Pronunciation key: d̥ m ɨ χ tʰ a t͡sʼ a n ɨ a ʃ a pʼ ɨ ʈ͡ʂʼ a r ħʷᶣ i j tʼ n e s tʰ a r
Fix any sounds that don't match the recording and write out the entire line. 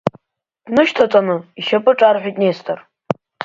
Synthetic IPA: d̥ n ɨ ʃ tʰ a t͡sʼ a n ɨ i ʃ a pʼ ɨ ʈ͡ʂʼ a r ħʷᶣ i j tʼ n e s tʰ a r

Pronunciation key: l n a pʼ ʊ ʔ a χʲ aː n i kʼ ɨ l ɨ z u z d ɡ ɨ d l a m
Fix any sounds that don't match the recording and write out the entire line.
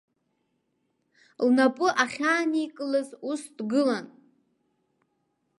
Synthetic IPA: l n a pʼ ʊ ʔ a χʲ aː n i kʼ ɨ l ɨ z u s d ɡ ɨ l a n

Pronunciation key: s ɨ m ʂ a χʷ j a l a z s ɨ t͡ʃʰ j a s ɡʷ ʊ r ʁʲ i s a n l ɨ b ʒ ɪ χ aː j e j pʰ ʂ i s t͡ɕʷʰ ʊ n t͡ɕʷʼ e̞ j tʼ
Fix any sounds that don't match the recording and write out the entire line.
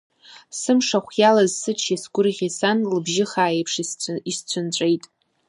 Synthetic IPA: s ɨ m ʂ a χʷ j a l a z s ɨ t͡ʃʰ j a s ɡʷ ʊ r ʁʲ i s a n l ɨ b ʒ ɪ χ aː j e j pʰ ʂ i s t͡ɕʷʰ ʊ n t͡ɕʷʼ e̞ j tʼ

